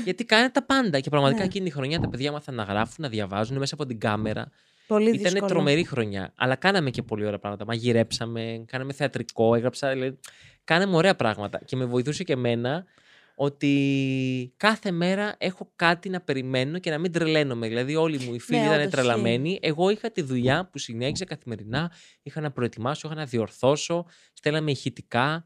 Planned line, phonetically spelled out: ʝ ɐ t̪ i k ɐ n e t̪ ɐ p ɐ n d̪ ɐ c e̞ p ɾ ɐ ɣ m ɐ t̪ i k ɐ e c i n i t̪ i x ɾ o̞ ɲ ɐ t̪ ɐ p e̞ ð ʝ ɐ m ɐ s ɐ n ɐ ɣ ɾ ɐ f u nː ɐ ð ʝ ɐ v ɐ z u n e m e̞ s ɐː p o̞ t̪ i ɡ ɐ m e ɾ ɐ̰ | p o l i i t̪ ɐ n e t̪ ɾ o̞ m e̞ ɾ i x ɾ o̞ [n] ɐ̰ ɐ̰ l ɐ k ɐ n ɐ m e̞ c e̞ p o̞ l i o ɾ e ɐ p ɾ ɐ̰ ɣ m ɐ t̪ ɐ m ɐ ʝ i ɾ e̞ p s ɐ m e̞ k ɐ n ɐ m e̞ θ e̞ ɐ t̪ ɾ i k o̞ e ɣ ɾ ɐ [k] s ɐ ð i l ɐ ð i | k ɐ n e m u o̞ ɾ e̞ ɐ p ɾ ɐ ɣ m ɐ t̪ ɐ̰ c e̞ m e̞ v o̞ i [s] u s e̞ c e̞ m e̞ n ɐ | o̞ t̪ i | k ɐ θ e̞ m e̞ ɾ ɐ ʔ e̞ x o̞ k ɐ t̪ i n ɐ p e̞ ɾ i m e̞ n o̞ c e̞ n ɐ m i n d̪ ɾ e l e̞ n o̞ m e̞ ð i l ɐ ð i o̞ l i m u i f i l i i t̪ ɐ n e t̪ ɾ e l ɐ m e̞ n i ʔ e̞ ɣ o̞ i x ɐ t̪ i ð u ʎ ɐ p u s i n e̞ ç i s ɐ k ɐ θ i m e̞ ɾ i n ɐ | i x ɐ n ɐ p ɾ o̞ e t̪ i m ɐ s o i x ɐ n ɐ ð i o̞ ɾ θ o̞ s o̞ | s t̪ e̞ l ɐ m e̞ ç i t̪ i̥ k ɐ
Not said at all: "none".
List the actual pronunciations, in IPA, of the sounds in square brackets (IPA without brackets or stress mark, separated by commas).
ɲ, p, θ